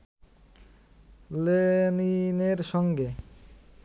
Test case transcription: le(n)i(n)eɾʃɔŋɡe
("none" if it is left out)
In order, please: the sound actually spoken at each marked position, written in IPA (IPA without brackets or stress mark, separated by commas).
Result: n, n